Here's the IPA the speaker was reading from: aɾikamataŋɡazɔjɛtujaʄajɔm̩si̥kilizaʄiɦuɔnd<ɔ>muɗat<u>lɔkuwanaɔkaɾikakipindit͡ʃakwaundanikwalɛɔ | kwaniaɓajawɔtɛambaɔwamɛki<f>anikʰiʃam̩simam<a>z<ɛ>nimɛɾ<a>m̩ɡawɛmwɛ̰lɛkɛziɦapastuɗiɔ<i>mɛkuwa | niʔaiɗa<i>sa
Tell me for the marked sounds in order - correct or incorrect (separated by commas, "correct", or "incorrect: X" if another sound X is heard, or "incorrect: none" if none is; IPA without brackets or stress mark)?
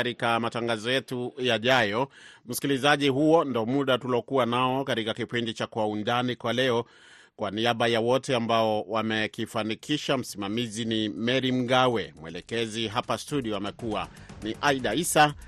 correct, correct, correct, incorrect: i, incorrect: i, incorrect: i, incorrect: a, correct